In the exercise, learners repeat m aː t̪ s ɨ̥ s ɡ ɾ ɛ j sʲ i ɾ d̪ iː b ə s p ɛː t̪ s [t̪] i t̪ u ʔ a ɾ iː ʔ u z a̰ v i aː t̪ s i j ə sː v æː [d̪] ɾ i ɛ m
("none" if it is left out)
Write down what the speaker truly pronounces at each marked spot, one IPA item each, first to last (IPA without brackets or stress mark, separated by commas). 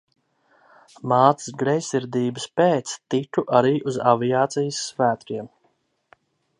t̪, t̪